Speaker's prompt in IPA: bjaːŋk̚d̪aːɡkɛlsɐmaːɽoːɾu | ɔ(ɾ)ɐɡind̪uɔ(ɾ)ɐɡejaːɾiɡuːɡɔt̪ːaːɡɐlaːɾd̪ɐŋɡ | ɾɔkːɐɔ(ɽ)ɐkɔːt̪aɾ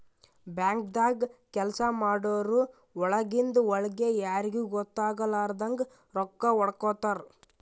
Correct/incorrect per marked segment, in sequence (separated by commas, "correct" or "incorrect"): incorrect, incorrect, correct